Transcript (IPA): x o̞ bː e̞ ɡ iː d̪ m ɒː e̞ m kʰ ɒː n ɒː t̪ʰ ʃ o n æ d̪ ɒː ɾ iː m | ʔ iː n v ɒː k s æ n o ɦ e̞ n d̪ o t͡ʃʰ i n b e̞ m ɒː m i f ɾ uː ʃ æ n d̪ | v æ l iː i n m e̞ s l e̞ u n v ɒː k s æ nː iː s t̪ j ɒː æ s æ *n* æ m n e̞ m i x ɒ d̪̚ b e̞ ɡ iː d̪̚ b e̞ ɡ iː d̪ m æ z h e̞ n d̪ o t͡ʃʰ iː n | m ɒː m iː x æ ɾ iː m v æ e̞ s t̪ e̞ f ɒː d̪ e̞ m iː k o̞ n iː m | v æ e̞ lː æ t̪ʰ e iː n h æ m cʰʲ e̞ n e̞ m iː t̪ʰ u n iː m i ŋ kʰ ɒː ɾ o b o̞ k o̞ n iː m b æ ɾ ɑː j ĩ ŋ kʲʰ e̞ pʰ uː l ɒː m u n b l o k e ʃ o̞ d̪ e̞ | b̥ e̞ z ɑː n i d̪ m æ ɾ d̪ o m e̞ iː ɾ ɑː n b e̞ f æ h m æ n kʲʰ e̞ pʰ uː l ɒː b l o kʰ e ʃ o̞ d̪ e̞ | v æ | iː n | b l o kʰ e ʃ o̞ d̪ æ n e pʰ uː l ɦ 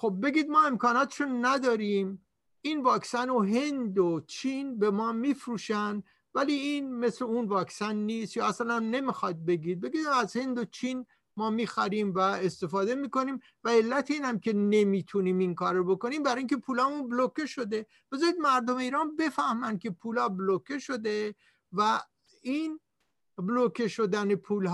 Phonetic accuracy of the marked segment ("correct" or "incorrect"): correct